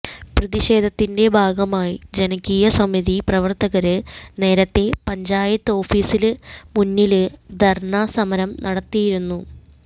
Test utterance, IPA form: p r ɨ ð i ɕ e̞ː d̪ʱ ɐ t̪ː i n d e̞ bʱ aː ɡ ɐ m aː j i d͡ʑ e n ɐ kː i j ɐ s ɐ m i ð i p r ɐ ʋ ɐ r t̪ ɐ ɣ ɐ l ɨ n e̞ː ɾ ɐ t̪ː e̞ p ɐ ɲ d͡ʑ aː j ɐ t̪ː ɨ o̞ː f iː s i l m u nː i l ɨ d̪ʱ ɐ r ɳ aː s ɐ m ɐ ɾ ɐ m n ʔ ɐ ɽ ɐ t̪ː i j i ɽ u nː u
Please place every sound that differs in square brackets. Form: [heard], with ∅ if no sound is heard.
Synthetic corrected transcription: p r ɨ ð i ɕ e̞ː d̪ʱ ɐ t̪ː i n d e̞ bʱ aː ɡ ɐ m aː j i d͡ʑ e n ɐ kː i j ɐ s ɐ m i ð i p r ɐ ʋ ɐ r t̪ ɐ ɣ ɐ [ɾ] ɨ n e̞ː ɾ ɐ t̪ː e̞ p ɐ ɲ d͡ʑ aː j ɐ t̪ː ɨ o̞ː f iː s i l m u nː i l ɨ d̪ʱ ɐ r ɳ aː s ɐ m ɐ ɾ ɐ m n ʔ ɐ ɽ ɐ t̪ː i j i [ɾ] u nː u